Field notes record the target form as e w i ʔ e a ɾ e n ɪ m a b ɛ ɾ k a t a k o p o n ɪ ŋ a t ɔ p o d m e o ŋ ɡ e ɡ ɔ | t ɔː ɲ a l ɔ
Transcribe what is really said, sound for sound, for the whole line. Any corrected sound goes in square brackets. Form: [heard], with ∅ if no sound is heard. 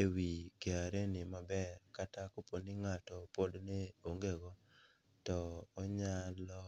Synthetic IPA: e w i [k] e a ɾ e n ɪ m a b ɛ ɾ k a t a k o p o n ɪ ŋ a t ɔ p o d [n] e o ŋ ɡ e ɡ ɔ | t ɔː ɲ a l ɔ